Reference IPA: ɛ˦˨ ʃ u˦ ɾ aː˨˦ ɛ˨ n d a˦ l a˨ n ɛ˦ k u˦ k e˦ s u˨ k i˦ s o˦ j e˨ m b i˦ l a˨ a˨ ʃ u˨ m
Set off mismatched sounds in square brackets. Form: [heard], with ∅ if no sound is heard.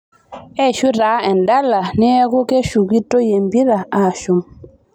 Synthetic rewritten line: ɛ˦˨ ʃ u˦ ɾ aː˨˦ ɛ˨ n d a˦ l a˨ n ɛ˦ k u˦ k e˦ [ʃ] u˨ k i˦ [t] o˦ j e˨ m b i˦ [ɾ] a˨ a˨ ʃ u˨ m